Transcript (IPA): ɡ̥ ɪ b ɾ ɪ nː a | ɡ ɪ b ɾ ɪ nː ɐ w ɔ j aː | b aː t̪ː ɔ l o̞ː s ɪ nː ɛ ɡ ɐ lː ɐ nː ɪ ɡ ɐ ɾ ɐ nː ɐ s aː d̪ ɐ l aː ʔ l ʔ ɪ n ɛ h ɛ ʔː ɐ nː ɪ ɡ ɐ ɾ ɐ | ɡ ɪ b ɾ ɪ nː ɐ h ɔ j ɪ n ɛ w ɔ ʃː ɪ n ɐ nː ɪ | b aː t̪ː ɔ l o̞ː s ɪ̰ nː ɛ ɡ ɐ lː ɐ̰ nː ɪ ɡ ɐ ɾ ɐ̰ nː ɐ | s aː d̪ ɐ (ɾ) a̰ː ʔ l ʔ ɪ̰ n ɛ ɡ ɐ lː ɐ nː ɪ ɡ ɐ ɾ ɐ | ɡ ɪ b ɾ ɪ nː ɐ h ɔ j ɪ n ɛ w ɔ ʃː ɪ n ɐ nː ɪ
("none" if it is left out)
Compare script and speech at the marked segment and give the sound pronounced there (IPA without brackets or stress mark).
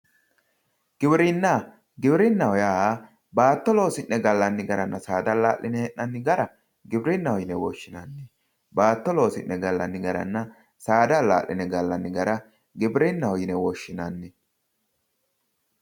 l